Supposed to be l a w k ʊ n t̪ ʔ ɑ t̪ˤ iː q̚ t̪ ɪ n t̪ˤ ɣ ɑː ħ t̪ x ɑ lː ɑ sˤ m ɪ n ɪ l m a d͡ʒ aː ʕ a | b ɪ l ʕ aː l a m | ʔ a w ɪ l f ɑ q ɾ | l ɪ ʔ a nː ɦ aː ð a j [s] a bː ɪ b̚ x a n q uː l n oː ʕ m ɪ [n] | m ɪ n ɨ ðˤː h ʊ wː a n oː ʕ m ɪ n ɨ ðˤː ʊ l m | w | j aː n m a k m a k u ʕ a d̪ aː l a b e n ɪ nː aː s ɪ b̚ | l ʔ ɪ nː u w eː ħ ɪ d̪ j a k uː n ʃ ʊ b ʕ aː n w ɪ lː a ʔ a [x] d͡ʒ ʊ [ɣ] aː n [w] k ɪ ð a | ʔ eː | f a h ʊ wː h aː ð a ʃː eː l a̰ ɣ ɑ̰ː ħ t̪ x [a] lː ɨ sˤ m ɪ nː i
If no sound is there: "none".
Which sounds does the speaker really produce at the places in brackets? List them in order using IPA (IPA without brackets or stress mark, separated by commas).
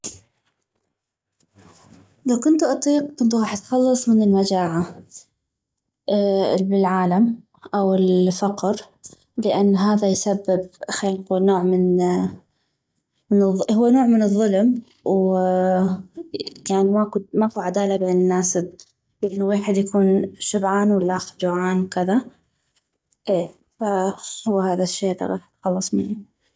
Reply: s, n, x, ʕ, w, ɑ